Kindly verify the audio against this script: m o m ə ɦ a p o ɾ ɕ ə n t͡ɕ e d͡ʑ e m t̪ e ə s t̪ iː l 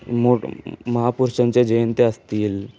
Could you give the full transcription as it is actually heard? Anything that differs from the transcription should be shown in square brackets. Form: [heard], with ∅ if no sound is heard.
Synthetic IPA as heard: m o m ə ɦ a p [u] ɾ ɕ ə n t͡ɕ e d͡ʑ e [n] t̪ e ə s t̪ iː l